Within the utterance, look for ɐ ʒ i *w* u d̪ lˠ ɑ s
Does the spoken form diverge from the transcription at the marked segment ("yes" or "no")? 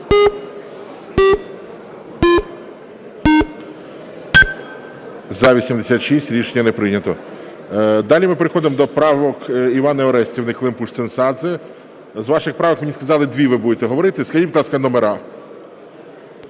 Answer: yes